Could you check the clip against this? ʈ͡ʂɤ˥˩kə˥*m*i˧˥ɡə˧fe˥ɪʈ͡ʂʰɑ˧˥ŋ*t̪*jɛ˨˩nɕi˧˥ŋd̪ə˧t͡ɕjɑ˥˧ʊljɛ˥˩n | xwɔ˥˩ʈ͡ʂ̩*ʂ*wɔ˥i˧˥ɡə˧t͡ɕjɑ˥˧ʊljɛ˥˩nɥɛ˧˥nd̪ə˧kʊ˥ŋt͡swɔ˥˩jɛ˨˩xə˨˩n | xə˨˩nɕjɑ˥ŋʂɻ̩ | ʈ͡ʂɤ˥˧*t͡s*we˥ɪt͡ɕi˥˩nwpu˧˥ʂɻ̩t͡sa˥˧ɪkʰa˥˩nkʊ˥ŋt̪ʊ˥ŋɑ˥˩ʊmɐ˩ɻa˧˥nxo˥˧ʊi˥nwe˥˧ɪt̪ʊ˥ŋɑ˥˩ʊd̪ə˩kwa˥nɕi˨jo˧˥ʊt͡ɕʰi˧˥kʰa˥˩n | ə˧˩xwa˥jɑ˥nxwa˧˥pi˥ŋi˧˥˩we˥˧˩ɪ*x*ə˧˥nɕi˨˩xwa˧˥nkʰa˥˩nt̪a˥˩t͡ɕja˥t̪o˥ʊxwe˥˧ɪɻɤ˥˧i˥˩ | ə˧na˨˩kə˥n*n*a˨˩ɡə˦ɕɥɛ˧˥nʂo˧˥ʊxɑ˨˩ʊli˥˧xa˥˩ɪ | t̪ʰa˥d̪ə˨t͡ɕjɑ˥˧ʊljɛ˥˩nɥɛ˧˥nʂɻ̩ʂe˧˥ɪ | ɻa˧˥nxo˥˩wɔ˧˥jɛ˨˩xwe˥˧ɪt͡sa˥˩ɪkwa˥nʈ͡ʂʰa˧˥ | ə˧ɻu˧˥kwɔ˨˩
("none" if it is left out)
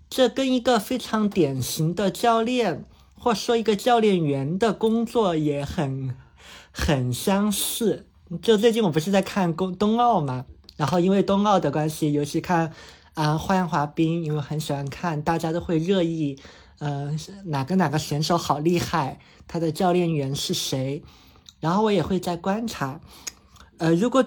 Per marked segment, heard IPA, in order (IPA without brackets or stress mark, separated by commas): n, t̪, ʂ, t͡s, x, n